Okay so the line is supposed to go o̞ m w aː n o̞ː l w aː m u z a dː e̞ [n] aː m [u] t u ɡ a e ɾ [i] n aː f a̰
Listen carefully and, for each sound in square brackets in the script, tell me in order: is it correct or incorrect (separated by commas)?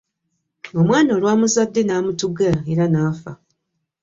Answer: correct, correct, incorrect